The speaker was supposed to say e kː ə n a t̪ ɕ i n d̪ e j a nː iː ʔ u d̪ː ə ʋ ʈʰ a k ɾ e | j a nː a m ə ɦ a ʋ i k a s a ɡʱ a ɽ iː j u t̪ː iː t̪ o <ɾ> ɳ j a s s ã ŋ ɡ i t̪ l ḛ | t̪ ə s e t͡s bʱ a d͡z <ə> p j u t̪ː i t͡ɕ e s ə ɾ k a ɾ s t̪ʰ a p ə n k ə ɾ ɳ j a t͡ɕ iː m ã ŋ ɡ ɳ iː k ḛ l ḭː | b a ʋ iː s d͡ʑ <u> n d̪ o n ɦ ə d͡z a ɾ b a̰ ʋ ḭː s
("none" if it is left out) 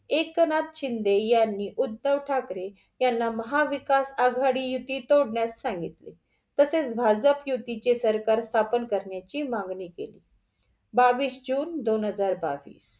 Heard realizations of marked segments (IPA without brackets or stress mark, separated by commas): ɽ, ə, uː